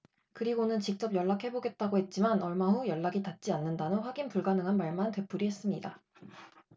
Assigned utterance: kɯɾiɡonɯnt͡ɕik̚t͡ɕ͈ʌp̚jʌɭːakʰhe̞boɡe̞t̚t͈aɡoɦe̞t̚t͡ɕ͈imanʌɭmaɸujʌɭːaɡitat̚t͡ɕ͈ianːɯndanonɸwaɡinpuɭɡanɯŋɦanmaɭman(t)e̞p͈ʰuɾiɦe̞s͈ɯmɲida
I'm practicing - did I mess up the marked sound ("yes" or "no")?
no